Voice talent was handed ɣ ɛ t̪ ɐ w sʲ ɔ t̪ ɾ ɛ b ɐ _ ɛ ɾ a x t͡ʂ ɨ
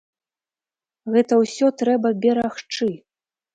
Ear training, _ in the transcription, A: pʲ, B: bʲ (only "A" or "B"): B